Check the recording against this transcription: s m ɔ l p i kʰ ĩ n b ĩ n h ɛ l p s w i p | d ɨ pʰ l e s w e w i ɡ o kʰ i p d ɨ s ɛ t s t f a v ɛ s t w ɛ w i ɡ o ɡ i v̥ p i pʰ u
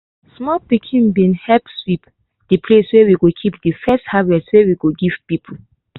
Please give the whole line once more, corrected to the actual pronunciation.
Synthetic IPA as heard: s m ɔ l p i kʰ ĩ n b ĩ n h ɛ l p s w i p | d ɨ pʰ l e s w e w i ɡ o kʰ i p d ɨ f ɛ s t h a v ɛ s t w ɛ w i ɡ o ɡ i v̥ p i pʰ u